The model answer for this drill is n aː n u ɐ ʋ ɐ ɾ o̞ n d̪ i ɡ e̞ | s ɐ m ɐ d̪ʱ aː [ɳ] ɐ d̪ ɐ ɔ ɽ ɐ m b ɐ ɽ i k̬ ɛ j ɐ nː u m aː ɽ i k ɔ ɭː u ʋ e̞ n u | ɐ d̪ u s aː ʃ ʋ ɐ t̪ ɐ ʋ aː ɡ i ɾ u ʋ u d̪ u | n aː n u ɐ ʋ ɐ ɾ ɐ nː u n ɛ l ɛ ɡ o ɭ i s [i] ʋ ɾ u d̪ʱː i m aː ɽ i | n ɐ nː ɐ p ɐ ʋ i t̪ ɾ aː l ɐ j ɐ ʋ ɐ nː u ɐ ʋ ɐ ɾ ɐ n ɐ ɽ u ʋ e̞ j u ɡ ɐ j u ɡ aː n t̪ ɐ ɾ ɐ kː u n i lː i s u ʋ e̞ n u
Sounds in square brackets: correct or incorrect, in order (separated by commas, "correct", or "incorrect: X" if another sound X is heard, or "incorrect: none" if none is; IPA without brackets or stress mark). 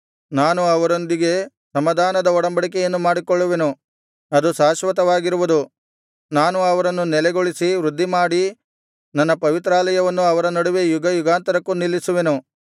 incorrect: n, correct